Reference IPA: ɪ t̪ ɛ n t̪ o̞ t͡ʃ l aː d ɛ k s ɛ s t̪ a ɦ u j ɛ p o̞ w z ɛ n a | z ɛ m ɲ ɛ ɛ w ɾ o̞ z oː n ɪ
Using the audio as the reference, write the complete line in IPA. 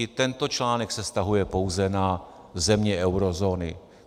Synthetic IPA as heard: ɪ t̪ ɛ n t̪ o̞ t͡ʃ l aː n ɛ k s ɛ s t̪ a ɦ u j ɛ p o̞ w z ɛ n a | z ɛ m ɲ ɛ ɛ w ɾ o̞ z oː n ɪ